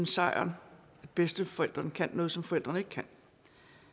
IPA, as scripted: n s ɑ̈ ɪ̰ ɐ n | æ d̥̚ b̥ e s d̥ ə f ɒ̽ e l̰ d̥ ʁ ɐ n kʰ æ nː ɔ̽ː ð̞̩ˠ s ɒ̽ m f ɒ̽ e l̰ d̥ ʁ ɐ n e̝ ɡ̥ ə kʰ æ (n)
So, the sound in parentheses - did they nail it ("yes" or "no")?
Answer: yes